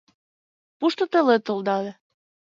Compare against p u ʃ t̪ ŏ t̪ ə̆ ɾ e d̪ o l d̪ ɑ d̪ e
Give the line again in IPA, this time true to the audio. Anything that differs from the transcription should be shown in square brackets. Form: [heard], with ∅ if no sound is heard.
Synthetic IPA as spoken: p u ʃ t̪ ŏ t̪ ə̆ [l] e [t̪] o l d̪ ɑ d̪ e